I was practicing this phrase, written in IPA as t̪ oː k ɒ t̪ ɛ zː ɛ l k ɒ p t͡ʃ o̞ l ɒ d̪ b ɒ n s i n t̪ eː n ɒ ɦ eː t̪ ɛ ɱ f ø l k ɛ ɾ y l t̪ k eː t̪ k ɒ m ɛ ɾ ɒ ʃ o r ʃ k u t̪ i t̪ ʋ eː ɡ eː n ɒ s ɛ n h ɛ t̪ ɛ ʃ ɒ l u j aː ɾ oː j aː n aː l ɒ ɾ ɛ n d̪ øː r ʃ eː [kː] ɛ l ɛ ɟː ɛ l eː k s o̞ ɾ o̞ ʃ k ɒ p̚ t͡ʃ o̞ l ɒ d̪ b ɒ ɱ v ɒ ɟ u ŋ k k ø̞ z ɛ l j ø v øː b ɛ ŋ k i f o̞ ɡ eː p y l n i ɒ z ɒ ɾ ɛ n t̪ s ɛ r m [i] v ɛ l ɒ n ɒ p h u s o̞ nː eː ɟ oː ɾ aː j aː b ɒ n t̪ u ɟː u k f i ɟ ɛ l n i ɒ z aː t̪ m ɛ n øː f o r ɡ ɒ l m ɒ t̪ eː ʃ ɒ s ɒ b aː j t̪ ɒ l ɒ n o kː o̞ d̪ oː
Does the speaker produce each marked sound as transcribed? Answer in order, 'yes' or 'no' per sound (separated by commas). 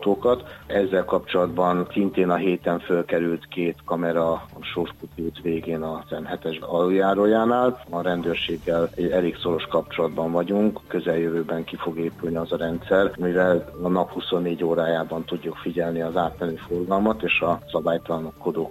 no, yes